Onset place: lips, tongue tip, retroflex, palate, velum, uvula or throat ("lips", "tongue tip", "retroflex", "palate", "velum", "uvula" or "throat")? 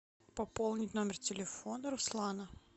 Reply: lips